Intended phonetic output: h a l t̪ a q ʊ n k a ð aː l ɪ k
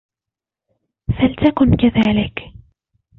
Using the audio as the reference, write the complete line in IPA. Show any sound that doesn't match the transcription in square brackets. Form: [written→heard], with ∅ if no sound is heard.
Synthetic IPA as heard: [h→f] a l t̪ a [q→k] ʊ n k a ð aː l ɪ k

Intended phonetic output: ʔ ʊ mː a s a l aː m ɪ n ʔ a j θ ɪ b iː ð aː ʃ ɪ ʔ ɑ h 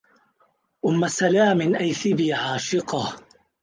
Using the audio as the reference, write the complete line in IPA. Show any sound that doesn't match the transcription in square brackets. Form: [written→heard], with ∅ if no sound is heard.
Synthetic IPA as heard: ʔ ʊ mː a s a l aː m ɪ n ʔ a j θ ɪ b iː [ð→ʕ] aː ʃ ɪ [ʔ→q] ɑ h

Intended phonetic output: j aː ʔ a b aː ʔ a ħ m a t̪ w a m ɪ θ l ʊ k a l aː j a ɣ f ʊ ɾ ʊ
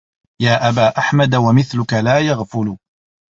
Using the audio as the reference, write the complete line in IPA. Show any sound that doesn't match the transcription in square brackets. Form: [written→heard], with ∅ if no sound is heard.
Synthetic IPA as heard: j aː ʔ a b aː ʔ a ħ m a [t̪→d̪] w a m ɪ θ l ʊ k a l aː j a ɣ f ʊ [ɾ→l] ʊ

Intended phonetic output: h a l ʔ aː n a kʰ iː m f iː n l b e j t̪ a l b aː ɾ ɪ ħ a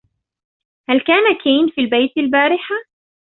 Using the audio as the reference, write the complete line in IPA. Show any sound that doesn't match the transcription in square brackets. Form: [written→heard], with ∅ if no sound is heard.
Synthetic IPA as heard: h a l [ʔ→k] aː n a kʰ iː [m→n] f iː [n→∅] l b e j t̪ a l b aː ɾ ɪ ħ a

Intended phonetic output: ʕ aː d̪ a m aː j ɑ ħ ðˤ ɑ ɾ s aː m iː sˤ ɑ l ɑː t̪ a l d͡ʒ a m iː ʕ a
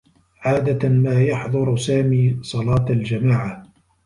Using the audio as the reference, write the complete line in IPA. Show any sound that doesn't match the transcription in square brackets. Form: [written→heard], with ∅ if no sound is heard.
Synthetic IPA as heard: ʕ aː d̪ a m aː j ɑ ħ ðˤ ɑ ɾ s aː m iː sˤ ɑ l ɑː t̪ a l d͡ʒ a m [iː→aː] ʕ a

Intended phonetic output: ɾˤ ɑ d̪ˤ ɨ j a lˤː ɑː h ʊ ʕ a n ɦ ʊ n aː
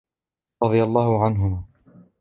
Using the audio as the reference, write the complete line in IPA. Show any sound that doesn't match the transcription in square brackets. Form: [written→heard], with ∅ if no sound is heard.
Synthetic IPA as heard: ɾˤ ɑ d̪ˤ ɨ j a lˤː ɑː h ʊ ʕ a n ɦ ʊ [n→m] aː

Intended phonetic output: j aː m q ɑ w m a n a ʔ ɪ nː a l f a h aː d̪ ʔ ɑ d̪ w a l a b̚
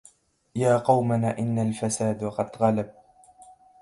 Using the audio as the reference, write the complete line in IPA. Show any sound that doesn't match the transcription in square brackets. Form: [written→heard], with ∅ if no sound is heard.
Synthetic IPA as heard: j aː [m→∅] q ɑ w m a n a ʔ ɪ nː a l f a [h→s] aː d̪ [ʔ→q] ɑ d̪ [w→ɣ] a l a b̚

